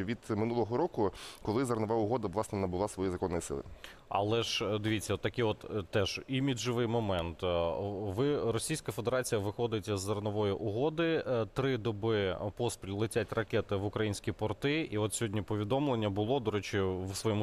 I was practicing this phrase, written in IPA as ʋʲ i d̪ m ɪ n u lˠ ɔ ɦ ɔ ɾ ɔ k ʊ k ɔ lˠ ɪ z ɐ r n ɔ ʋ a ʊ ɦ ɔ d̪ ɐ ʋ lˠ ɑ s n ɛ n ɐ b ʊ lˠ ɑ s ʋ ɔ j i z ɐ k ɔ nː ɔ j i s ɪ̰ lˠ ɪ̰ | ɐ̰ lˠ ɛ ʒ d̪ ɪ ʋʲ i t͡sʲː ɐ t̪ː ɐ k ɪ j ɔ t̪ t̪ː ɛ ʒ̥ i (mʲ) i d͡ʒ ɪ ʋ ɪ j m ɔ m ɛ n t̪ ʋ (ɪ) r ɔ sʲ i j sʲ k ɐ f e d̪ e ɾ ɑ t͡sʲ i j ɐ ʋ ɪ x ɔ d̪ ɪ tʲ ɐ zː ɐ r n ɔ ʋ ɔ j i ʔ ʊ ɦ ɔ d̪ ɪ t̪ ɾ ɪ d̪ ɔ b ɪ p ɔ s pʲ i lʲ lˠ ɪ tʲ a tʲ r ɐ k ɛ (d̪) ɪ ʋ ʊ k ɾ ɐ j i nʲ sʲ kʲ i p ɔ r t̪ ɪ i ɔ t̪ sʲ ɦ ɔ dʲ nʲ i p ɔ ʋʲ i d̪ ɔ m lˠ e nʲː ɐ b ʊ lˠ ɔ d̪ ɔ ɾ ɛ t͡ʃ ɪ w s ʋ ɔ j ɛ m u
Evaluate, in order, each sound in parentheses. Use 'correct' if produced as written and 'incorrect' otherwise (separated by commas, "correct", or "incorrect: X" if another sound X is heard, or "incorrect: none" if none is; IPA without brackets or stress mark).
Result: correct, correct, incorrect: t̪